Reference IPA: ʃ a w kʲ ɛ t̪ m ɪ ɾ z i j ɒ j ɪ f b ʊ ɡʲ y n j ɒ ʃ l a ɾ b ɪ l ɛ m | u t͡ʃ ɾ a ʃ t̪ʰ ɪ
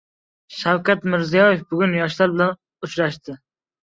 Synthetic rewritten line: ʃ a w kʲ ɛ t̪ m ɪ ɾ z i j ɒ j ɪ f b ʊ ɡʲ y n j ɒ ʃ l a ɾ b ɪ l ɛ n | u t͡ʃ ɾ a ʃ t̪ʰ ɪ